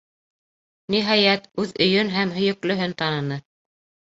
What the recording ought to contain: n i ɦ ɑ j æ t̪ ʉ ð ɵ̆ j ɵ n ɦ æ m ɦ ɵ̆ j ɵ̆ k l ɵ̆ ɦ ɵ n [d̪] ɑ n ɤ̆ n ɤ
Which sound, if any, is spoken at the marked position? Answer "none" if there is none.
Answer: t̪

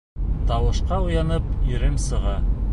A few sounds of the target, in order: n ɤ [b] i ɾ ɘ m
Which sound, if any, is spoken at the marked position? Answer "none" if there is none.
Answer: p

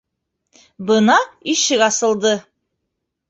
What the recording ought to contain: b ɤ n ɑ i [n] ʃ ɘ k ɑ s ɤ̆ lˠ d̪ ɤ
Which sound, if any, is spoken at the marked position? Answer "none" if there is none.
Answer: none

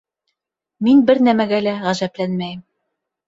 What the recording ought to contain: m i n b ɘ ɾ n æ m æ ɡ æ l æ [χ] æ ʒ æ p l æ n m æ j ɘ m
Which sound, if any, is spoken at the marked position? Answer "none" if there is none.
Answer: ʁ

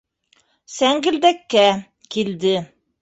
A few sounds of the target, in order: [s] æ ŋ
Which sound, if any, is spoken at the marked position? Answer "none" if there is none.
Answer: s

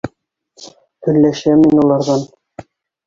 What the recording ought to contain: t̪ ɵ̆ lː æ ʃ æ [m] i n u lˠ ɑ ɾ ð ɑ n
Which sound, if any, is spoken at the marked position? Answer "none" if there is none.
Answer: m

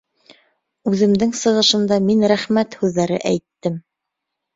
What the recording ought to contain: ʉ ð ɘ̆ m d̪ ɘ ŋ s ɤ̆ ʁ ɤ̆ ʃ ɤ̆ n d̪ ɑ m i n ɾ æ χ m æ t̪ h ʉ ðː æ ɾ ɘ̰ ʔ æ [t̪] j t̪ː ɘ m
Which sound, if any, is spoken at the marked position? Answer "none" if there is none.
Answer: none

